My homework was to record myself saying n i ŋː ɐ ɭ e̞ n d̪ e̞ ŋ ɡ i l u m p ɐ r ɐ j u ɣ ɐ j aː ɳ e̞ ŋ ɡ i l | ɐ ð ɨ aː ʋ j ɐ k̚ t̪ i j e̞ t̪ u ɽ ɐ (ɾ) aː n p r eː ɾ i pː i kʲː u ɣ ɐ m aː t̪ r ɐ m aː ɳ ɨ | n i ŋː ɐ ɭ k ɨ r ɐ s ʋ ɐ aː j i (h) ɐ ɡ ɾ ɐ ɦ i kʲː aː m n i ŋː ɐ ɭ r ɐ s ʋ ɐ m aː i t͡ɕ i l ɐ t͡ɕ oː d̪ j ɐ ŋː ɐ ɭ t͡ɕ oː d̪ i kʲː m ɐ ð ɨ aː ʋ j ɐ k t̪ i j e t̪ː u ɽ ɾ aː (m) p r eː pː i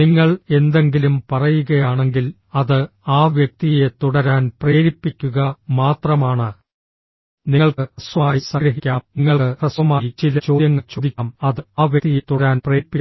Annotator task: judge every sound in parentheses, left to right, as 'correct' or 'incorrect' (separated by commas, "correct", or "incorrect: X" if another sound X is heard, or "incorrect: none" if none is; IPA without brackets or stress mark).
correct, incorrect: s, incorrect: n